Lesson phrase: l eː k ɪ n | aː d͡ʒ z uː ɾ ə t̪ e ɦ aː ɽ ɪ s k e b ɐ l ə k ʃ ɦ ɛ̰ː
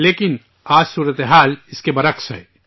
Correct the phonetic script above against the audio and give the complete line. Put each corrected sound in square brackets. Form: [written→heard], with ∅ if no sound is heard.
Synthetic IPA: l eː k ɪ n | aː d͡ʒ [z→s] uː ɾ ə t̪ e ɦ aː [ɽ→l] ɪ s k e b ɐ [l→ɾ] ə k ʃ ɦ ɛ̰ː